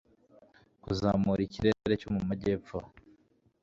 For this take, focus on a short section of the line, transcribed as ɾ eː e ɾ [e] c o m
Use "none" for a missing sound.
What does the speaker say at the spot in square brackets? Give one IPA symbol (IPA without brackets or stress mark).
e